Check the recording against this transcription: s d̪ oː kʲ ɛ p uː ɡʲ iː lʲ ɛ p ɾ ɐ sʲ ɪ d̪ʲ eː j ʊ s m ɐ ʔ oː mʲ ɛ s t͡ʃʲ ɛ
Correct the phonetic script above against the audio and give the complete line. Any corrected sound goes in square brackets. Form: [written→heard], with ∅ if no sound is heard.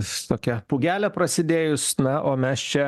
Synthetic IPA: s [d̪→t̪] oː kʲ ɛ p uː ɡʲ [iː→æː] lʲ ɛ p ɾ ɐ sʲ ɪ d̪ʲ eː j ʊ s [m→n] ɐ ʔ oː mʲ ɛ s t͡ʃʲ ɛ